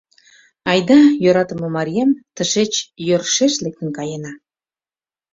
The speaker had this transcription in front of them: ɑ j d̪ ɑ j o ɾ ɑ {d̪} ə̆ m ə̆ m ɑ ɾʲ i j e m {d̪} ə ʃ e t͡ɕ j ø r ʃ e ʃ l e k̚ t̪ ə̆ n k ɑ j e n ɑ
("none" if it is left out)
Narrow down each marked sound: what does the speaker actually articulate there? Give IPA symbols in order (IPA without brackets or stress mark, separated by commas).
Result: t̪, t̪